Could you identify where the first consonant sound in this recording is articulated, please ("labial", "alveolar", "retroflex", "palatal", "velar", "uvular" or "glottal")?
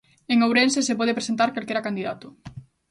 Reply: velar